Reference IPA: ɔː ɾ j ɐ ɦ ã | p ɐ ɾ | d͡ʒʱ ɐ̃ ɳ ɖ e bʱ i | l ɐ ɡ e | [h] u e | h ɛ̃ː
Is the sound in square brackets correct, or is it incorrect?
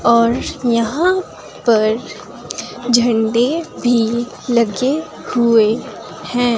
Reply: correct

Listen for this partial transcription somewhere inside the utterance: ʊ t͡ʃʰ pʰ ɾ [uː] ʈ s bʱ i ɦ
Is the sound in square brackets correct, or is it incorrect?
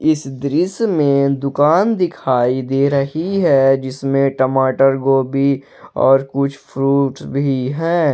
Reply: correct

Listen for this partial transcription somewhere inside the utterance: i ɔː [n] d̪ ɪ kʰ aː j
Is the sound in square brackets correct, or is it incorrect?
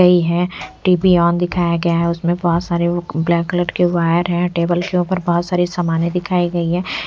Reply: correct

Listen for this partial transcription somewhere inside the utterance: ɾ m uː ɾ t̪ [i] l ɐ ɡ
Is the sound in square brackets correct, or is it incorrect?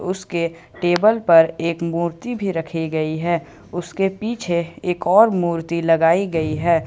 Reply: correct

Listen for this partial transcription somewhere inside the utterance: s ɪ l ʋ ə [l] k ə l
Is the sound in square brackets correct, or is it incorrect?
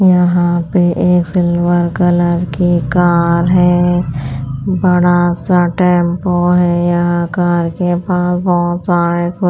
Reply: incorrect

